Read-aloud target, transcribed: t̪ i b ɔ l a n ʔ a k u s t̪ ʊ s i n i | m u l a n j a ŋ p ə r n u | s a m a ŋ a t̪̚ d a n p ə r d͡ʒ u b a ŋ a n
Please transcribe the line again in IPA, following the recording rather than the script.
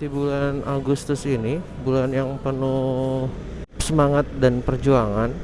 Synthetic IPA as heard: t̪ i b u l a n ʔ a ɡ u s t̪ ʊ s i n i | b u l a n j a ŋ p ə r n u | s ə m a ŋ a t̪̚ d a n p ə r d͡ʒ u a ŋ a n